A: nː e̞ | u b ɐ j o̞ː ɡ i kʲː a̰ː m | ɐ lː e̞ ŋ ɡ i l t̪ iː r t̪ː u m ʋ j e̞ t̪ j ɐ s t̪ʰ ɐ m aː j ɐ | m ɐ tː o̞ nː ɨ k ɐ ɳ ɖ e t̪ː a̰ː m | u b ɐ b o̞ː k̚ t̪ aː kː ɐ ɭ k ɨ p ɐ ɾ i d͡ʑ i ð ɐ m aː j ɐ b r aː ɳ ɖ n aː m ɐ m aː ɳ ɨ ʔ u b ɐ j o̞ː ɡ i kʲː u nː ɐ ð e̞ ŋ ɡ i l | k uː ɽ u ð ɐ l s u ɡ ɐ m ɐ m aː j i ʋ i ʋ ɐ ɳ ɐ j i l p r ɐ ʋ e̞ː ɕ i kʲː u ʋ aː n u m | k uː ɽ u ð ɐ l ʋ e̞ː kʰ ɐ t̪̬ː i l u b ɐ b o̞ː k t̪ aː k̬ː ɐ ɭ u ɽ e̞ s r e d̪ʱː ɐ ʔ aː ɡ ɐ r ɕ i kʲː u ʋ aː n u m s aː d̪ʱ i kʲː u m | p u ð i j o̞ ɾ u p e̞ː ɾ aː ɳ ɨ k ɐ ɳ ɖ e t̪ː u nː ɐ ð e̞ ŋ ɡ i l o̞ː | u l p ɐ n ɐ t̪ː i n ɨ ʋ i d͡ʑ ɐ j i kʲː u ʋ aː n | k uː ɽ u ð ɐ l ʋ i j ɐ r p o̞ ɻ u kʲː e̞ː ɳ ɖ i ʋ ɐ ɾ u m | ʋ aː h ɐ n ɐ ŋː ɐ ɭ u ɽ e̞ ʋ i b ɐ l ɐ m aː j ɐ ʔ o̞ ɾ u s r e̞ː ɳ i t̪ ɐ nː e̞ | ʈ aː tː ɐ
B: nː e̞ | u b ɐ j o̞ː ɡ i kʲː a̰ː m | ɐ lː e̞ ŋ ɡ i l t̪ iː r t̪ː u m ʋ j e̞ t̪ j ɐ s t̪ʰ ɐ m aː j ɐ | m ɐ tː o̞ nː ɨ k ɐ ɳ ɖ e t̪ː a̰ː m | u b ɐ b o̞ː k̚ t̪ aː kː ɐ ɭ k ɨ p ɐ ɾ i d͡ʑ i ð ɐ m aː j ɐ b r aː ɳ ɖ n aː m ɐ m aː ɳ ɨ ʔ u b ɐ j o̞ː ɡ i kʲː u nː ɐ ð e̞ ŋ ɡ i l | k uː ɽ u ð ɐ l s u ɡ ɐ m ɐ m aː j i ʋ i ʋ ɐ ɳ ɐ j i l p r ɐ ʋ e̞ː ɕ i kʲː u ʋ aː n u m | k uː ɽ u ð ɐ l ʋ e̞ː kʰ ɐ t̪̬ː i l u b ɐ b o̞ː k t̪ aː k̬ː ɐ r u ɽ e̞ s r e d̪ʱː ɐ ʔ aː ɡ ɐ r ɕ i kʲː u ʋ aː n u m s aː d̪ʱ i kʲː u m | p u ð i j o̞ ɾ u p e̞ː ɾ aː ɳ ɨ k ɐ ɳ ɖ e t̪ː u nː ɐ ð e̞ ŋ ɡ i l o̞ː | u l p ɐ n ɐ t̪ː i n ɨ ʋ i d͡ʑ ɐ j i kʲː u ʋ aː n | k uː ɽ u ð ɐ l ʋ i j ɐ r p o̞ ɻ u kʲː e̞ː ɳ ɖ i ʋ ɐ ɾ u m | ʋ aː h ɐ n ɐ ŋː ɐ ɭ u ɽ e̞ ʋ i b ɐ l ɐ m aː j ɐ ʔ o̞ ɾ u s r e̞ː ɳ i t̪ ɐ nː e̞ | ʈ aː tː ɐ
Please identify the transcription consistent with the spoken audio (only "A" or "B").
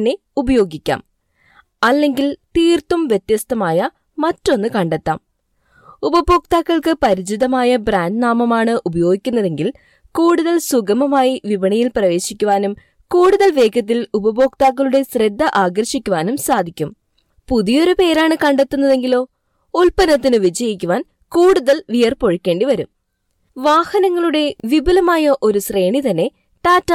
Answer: A